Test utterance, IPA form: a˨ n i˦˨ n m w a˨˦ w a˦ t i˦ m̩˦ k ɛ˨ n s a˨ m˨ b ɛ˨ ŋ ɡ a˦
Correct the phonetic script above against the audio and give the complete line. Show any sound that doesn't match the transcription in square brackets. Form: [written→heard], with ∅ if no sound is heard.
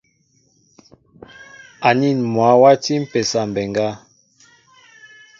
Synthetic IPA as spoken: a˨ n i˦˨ n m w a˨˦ w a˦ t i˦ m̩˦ [k→p] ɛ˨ [n→∅] s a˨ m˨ b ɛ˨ ŋ ɡ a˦